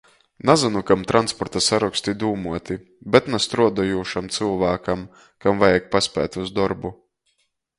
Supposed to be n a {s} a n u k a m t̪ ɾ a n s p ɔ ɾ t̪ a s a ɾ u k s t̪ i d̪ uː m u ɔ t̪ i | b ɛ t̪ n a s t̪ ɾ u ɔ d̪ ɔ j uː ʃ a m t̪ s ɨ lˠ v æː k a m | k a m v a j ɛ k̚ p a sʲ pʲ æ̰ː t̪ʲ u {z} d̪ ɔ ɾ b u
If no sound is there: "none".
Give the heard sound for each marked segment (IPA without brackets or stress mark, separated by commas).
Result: z, z